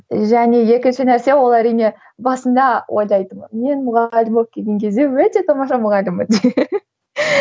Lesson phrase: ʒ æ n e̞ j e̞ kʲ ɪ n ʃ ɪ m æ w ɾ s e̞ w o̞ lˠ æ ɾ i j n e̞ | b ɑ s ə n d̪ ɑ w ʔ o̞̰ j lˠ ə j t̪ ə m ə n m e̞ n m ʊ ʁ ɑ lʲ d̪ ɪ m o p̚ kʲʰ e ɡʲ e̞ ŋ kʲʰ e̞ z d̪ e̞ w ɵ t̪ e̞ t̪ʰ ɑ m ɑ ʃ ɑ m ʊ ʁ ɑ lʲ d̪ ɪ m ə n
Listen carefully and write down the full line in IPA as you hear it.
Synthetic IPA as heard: ʒ æ n e̞ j e̞ kʲ ɪ n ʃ ɪ n æ ɾ s e̞ w o̞ lˠ æ ɾ i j n e̞ | b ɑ s ə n d̪ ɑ w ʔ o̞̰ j lˠ ɑ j t̪ ə m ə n m e̞ n m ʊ ʁ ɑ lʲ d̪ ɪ m o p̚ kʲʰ e ɡʲ e̞ ŋ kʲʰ e̞ z d̪ e̞ w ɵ t̪ e̞ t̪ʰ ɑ m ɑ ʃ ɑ m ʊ ʁ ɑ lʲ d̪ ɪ m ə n